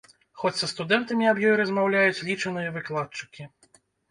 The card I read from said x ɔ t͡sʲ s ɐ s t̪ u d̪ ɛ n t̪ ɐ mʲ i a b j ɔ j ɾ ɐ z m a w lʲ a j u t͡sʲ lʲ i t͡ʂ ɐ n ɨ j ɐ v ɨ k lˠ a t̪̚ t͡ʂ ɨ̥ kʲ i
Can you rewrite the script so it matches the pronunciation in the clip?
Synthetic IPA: x ɔ t͡sʲ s ɐ s t̪ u d̪ ɛ n t̪ ɐ mʲ i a b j ɔ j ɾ ɐ z m a w lʲ a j u t͡sʲ lʲ i t͡ʂ ɐ n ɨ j ɐ v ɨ k lˠ a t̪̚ t͡ʂ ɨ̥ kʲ i

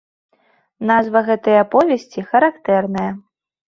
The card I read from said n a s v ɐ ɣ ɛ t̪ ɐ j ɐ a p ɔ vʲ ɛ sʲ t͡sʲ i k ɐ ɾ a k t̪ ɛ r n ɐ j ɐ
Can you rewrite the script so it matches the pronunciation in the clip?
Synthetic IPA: n a z v ɐ ɣ ɛ t̪ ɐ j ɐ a p ɔ vʲ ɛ sʲ t͡sʲ i x ɐ ɾ a k t̪ ɛ r n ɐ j ɐ

